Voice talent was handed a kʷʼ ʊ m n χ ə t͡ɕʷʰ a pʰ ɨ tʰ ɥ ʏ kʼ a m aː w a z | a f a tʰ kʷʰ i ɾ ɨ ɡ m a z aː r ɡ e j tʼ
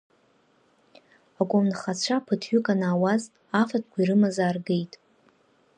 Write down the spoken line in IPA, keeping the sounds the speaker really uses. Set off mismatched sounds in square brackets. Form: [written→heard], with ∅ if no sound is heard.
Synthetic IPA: a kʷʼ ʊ m n χ [ə→a] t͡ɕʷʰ a pʰ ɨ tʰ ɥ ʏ kʼ a [m→n] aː w a z | a f a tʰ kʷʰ i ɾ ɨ [ɡ→∅] m a z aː r ɡ e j tʼ